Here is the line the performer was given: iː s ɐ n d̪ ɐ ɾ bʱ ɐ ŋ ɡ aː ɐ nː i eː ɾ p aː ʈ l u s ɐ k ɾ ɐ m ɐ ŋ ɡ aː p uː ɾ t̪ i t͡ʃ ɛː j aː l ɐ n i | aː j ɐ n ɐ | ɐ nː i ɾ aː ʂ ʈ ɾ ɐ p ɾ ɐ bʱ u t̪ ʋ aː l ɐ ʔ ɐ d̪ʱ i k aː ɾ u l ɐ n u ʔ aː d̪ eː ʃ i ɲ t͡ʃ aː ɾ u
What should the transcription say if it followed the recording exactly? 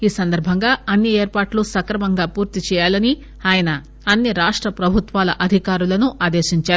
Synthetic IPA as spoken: iː s ɐ n d̪ ɐ ɾ bʱ ɐ ŋ ɡ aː ɐ nː i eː ɾ p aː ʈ l u s ɐ k ɾ ɐ m ɐ ŋ ɡ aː p uː ɾ t̪ i t͡ʃ ɛː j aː l ɐ n i | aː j ɐ n ɐ | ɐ nː i ɾ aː ʂ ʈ ɾ ɐ p ɾ ɐ bʱ u t̪ ʋ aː l ɐ ʔ ɐ d̪ʱ i k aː ɾ u l ɐ n u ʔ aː d̪ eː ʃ i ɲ t͡ʃ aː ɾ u